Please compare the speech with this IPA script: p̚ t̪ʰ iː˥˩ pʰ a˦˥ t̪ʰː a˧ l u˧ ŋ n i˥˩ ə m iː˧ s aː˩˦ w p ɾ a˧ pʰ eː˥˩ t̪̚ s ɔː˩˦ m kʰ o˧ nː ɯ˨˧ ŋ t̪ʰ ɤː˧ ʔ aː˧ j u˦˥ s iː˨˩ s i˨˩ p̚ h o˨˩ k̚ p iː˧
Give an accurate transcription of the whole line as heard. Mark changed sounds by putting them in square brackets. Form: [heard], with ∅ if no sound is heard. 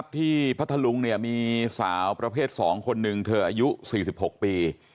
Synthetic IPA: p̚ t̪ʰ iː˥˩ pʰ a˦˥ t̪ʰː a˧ l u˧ ŋ n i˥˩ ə m iː˧ s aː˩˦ w p ɾ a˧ pʰ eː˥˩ t̪̚ s ɔː˩˦ [ŋ] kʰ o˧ nː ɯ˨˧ ŋ t̪ʰ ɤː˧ ʔ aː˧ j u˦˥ s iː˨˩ s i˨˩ p̚ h o˨˩ k̚ p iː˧